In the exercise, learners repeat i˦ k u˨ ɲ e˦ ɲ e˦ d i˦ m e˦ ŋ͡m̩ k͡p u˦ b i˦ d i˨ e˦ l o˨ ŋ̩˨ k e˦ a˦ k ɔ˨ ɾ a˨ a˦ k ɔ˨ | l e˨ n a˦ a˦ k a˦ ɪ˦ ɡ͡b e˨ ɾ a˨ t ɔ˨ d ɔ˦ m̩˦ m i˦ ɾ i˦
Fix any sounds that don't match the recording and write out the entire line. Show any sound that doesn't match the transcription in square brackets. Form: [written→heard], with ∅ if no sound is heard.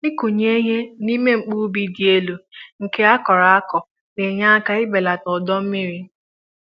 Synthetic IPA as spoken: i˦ k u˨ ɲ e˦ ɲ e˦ [d→n] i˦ m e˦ ŋ͡m̩ k͡p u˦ b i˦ d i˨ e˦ l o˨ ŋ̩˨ k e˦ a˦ k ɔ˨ ɾ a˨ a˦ k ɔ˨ | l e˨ [n→ɲ] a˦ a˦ k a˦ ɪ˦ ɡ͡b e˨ [ɾ→l] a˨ t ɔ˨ d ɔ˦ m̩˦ m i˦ ɾ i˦

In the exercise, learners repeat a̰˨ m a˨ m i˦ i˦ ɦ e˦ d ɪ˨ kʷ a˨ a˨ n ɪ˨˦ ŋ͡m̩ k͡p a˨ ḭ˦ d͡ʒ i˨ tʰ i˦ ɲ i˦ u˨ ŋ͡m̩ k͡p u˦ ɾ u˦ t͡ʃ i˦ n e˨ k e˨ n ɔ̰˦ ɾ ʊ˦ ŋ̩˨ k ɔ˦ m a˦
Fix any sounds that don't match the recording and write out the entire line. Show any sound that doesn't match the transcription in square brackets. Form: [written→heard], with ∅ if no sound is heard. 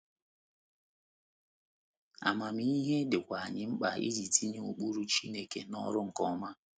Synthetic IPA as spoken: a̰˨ m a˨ m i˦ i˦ ɦ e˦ d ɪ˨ kʷ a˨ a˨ [n→ɲ] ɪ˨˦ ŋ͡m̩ k͡p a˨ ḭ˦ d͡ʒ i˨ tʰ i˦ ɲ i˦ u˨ [ŋ͡m̩→∅] k͡p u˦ ɾ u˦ t͡ʃ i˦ n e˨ k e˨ n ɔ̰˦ ɾ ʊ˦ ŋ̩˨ k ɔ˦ m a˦

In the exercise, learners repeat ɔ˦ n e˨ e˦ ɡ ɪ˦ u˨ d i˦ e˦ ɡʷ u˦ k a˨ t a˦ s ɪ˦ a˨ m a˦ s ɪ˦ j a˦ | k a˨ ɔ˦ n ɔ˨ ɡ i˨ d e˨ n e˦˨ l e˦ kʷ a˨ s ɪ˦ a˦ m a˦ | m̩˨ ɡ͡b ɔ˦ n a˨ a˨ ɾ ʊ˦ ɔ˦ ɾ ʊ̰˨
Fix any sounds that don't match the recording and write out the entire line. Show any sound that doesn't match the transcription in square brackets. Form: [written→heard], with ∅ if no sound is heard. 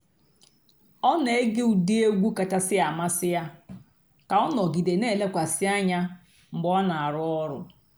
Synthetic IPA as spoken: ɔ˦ n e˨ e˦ ɡ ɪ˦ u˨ d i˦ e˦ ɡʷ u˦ k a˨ t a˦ s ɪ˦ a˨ m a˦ s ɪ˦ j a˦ | k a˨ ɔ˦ n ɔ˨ ɡ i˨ d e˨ n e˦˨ l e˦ kʷ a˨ s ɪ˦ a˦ [m→ɲ] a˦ | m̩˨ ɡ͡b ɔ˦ n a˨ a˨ ɾ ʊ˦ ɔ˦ ɾ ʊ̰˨

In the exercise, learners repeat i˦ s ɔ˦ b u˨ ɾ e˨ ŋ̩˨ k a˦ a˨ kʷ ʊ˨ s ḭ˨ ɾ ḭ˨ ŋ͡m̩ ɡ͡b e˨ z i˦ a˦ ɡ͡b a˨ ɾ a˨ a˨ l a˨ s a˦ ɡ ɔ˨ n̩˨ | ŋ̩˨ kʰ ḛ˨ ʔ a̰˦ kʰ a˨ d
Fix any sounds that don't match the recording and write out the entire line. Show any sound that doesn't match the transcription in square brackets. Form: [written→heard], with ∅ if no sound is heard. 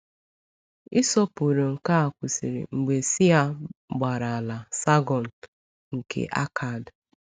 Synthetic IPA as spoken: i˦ s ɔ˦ [b→p] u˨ ɾ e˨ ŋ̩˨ k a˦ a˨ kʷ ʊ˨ s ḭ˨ ɾ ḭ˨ ŋ͡m̩ ɡ͡b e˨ [z→s] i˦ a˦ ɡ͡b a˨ ɾ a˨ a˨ l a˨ s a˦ ɡ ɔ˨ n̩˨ | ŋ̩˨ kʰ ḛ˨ ʔ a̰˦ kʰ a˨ d

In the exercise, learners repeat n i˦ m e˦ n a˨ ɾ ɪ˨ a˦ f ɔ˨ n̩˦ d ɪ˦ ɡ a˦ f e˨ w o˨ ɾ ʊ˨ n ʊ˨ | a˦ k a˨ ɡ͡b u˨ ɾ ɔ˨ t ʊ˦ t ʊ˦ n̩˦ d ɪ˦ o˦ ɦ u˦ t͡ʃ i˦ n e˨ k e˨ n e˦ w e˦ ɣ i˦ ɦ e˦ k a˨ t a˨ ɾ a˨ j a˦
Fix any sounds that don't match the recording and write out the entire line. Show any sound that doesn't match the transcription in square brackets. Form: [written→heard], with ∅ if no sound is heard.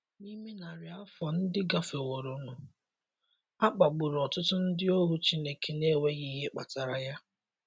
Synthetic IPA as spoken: n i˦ m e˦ n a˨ ɾ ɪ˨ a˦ f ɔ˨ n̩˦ d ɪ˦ ɡ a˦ f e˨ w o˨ ɾ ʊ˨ n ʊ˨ | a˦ [k→k͡p] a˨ ɡ͡b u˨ ɾ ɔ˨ t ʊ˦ t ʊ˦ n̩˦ d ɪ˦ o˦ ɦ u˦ t͡ʃ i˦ n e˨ k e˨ n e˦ w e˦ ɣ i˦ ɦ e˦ [k→k͡p] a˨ t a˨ ɾ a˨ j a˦

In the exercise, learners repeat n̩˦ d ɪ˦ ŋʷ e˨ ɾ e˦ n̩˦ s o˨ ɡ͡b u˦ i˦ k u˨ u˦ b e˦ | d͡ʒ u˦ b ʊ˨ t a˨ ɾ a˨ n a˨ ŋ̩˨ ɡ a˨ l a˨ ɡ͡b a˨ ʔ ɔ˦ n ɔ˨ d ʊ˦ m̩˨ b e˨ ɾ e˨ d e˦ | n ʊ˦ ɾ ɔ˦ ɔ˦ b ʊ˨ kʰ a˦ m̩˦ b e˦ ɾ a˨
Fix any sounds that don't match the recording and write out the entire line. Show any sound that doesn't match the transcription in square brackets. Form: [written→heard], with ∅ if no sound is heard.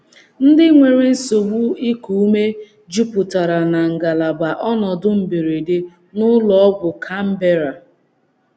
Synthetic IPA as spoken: n̩˦ d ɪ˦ ŋʷ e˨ ɾ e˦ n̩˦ s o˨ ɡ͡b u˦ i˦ k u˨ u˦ [b→m] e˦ | d͡ʒ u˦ [b→p] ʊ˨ t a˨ ɾ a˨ n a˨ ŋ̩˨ ɡ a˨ l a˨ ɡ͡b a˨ ʔ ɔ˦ n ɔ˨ d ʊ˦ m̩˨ b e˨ ɾ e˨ d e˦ | n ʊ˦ [ɾ→l] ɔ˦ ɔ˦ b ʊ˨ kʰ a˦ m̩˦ b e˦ ɾ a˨

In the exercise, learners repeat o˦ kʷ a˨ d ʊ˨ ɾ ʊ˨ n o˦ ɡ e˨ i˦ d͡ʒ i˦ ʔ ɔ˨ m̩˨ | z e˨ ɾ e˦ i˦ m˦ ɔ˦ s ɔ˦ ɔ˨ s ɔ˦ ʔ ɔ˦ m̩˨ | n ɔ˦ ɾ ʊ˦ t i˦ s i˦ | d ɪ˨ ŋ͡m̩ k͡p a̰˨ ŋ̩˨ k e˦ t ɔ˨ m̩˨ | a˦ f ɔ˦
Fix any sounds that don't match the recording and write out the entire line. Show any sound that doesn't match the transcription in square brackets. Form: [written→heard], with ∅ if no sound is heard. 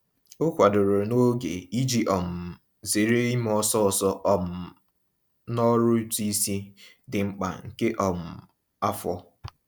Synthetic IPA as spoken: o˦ kʷ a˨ d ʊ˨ ɾ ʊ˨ n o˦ ɡ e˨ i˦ d͡ʒ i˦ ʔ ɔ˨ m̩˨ | z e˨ ɾ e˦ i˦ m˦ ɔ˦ s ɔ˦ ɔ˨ s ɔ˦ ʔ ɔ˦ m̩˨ | n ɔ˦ ɾ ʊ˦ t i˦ s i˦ | d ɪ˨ ŋ͡m̩ k͡p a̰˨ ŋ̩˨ k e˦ [t→ʔ] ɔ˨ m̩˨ | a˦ f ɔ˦

